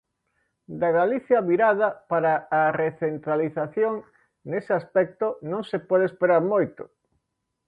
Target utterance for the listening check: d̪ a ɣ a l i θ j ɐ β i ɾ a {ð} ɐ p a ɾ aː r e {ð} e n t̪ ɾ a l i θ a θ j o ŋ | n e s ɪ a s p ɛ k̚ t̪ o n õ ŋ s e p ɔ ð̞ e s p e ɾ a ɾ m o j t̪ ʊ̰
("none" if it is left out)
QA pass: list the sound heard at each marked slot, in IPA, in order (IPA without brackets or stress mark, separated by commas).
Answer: ð, θ